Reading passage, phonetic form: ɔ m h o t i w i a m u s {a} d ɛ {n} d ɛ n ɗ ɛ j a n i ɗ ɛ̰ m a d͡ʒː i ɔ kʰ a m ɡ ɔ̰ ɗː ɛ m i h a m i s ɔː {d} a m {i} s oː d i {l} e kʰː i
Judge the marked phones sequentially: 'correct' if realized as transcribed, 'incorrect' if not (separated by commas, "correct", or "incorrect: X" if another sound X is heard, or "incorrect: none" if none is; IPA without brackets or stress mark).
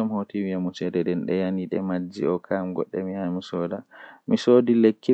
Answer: incorrect: ɛ, incorrect: none, correct, correct, correct